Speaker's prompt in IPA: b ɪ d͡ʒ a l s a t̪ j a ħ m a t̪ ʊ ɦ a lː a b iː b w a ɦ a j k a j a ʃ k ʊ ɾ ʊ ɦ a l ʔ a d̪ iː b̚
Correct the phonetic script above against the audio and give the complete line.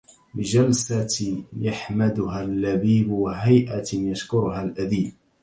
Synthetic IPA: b ɪ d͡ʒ a l s a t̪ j a ħ m a d̪ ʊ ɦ a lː a b iː b w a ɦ a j ʔ a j a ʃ k ʊ ɾ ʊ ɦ a l ʔ a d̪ iː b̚